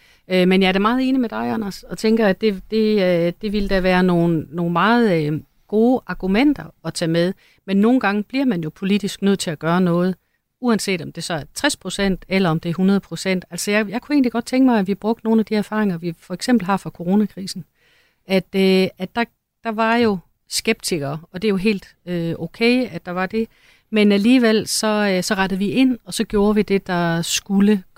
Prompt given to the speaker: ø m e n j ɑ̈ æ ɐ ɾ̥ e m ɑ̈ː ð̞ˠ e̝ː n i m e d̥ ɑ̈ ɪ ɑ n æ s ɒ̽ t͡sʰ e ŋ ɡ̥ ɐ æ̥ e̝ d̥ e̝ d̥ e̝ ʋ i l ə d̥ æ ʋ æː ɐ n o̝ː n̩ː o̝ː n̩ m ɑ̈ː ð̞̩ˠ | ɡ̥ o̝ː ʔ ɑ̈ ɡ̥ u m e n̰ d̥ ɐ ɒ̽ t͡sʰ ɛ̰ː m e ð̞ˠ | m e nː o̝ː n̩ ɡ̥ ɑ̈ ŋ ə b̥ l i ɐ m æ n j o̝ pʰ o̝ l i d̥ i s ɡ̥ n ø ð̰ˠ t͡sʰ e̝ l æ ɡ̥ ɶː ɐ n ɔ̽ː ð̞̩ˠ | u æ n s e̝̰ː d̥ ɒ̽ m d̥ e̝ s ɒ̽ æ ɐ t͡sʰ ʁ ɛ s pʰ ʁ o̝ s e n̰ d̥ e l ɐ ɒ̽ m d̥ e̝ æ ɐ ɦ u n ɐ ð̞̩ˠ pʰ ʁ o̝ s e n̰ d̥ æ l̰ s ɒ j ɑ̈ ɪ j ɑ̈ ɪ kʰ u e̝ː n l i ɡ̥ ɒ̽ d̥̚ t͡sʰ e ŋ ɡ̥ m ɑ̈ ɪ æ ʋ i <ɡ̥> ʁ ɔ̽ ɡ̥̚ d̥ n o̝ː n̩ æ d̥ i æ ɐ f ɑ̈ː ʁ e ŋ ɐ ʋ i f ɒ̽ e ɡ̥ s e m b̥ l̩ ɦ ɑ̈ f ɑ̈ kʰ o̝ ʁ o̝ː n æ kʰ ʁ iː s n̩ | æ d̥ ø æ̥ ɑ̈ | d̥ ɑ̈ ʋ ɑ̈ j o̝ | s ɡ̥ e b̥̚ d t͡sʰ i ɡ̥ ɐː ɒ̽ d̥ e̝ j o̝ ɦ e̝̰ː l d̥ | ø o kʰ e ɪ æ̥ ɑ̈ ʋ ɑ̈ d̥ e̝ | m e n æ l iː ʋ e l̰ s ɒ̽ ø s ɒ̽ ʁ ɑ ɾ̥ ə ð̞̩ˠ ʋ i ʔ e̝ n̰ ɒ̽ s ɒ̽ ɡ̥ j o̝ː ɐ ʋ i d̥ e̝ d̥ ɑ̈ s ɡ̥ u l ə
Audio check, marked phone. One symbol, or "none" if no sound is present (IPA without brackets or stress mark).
b̥